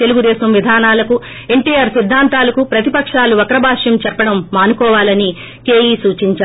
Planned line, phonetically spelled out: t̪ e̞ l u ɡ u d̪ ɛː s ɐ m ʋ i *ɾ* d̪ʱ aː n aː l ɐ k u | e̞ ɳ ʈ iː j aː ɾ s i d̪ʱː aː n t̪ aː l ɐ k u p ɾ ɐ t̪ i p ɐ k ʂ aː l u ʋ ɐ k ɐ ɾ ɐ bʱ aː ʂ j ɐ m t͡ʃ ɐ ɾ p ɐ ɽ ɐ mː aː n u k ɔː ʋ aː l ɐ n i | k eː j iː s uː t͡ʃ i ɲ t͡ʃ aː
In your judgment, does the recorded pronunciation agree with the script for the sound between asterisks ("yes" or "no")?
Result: no